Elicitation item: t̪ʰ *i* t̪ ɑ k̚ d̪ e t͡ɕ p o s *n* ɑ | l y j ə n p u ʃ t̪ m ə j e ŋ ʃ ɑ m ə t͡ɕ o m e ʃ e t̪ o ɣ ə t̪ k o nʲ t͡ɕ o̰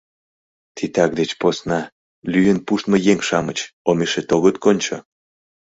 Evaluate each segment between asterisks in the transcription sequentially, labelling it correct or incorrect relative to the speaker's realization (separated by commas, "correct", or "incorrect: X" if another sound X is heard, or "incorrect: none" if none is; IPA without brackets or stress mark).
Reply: correct, correct